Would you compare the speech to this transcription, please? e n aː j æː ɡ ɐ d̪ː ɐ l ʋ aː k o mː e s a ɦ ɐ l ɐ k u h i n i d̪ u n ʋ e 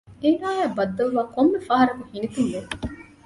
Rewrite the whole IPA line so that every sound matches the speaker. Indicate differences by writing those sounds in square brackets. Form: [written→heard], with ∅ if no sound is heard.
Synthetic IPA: e n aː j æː [ɡ→b] ɐ d̪ː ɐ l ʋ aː k o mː e [s→f] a ɦ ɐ [l→ɾ] ɐ k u h i n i [d̪→t̪] u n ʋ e